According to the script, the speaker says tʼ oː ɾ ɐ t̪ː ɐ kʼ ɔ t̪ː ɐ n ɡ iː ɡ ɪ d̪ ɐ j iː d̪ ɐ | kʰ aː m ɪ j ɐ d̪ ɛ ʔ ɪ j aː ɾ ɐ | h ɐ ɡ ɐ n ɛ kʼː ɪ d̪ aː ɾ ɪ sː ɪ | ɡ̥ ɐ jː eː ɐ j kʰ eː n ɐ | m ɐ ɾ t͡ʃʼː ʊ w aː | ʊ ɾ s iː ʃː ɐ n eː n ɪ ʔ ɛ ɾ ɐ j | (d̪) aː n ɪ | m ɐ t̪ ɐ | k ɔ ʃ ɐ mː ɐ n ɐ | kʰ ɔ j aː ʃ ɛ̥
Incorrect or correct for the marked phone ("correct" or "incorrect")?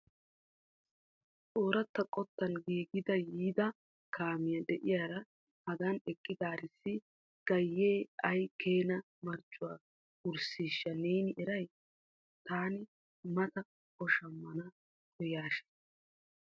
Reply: incorrect